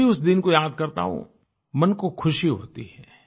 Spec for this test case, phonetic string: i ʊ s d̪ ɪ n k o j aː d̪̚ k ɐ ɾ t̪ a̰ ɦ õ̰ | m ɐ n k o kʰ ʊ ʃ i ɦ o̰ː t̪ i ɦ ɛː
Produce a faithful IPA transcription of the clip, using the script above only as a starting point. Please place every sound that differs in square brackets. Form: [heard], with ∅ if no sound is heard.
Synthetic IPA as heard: i ʊ s d̪ ɪ n k o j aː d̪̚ k ɐ ɾ t̪ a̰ ɦ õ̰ | m ɐ n k o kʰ ʊ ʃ i ɦ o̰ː t̪ i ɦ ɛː